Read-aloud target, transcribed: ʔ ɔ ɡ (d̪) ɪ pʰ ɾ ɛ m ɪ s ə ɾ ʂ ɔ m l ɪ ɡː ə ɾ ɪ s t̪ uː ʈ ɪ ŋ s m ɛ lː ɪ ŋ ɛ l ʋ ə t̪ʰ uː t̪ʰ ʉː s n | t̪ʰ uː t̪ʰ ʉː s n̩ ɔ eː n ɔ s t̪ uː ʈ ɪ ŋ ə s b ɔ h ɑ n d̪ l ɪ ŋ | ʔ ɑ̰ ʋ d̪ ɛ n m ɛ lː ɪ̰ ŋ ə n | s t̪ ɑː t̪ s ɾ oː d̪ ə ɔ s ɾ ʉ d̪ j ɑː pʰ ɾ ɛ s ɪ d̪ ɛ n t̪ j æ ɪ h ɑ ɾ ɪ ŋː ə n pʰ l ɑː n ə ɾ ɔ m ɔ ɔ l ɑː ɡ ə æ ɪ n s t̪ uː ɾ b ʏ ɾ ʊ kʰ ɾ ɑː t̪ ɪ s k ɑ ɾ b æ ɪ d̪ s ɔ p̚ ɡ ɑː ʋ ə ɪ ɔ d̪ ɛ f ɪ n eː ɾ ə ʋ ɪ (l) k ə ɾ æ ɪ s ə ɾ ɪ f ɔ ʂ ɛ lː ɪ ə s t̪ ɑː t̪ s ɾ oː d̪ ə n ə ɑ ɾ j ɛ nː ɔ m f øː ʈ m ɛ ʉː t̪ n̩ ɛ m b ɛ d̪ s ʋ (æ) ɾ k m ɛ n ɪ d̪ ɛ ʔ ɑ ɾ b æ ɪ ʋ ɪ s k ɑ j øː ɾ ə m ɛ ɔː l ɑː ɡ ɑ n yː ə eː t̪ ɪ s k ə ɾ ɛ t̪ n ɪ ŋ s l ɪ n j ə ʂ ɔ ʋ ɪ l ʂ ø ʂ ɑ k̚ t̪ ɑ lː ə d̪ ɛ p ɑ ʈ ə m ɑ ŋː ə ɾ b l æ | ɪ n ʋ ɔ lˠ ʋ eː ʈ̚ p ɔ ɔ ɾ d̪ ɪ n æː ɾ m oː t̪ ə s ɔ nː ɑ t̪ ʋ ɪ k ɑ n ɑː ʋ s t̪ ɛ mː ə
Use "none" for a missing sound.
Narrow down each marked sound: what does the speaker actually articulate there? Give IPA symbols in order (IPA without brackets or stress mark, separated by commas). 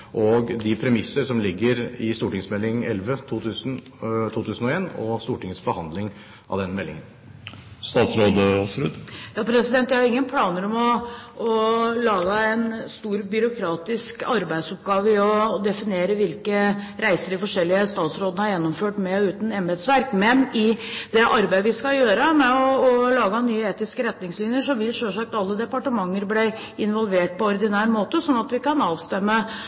d̪, l, æ